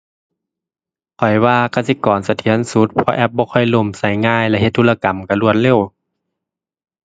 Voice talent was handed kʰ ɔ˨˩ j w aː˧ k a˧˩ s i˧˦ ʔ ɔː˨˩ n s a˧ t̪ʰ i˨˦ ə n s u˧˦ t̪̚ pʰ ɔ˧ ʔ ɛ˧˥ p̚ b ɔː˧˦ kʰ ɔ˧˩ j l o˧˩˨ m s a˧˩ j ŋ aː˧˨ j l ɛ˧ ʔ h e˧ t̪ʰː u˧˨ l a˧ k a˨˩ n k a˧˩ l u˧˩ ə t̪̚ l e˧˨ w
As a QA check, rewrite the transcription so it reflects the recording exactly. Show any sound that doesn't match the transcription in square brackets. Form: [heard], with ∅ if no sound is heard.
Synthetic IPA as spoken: kʰ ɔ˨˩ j w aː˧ k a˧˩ s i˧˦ [k] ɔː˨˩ n s a˧ t̪ʰ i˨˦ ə n s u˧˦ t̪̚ pʰ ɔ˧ ʔ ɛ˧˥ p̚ b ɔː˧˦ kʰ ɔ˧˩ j l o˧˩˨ m s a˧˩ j ŋ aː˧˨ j l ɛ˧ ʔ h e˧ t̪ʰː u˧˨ l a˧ k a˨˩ [m] k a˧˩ l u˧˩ ə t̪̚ l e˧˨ w